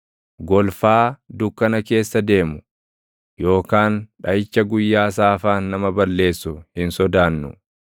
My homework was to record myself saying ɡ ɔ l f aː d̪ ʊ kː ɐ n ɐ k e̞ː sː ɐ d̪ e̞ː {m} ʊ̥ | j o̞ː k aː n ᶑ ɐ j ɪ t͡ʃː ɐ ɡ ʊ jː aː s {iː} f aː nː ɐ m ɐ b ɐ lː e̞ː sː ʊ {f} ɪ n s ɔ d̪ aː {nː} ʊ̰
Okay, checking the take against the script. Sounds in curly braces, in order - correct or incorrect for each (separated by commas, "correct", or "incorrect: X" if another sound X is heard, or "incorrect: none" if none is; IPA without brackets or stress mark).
correct, incorrect: aː, incorrect: h, correct